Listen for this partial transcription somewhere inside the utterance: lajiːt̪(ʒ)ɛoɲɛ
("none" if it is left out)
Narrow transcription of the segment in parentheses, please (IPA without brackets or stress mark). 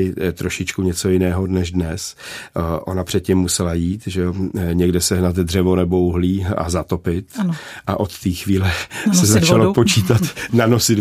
ʒ